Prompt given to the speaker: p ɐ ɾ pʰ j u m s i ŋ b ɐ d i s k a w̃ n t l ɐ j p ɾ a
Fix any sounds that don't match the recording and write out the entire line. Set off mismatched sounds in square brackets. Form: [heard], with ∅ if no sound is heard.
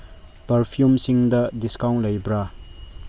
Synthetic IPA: p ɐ ɾ pʰ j u m s i ŋ [d] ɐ d i s k a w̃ n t l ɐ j [b] ɾ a